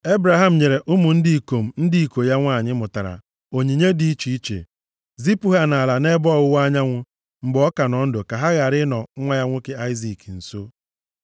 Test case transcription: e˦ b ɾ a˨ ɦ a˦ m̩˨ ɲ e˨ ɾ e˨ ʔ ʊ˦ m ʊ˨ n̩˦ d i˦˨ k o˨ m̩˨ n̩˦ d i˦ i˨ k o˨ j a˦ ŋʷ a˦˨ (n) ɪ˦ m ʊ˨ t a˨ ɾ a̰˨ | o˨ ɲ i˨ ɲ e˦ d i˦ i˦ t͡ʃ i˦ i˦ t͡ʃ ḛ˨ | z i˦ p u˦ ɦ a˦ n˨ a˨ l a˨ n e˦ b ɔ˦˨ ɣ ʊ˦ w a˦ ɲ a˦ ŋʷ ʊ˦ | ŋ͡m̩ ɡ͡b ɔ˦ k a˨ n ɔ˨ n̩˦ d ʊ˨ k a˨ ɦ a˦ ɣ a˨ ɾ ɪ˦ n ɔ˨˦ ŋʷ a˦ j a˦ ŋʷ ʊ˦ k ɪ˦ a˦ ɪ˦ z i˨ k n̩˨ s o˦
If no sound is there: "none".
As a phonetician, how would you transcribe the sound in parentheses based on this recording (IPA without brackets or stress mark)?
ɲ